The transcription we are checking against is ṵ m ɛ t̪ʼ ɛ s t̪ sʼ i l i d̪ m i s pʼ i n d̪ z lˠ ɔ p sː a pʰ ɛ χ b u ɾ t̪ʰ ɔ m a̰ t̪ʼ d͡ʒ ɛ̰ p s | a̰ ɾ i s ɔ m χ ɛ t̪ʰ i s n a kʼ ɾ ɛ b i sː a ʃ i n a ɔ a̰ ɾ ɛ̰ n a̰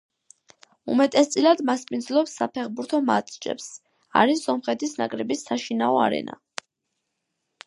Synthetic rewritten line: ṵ m ɛ t̪ʼ ɛ s t̪ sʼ i l a d̪ m a s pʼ i n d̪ z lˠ ɔ p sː a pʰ ɛ χ b u ɾ t̪ʰ ɔ m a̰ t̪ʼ d͡ʒ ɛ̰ p s | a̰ ɾ i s ɔ m χ ɛ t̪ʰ i s n a kʼ ɾ ɛ b i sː a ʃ i n a ɔ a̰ ɾ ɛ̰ n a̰